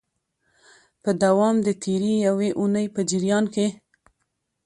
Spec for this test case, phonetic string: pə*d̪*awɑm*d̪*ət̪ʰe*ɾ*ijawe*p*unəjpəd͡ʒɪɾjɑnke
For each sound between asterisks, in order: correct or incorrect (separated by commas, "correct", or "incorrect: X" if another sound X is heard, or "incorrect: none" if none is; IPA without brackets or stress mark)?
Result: correct, correct, correct, incorrect: ʔ